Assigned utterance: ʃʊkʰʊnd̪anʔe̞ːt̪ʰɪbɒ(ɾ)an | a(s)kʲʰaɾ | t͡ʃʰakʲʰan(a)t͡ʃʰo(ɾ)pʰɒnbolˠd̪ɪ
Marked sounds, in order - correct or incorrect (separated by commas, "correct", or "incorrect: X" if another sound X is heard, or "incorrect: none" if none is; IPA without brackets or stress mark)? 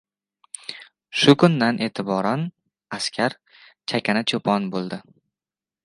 correct, correct, correct, incorrect: none